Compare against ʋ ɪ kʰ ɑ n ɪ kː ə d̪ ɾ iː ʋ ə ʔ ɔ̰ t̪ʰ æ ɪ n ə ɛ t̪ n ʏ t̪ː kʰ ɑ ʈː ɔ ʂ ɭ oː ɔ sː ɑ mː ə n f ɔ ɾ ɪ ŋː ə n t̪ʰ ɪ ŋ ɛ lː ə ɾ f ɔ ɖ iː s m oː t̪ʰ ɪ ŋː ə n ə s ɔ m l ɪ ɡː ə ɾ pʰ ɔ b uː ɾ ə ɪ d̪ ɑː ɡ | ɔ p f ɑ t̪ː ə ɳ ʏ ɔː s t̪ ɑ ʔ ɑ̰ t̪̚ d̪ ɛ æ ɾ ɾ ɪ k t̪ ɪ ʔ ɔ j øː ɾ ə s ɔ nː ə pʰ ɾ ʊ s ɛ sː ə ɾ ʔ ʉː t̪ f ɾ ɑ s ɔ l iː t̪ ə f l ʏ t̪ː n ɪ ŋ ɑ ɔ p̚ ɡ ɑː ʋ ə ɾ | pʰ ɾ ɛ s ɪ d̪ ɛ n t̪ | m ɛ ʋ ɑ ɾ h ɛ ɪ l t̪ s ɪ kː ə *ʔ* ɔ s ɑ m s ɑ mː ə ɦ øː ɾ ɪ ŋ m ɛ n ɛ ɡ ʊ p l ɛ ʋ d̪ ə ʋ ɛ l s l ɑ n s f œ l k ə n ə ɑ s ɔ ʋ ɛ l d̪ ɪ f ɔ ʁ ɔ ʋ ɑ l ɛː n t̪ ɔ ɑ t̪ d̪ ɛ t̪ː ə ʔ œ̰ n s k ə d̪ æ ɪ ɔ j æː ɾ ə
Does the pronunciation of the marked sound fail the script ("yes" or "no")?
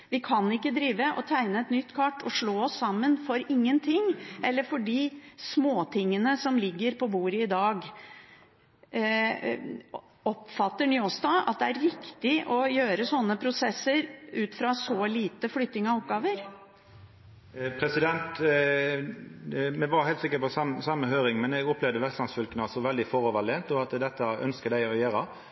yes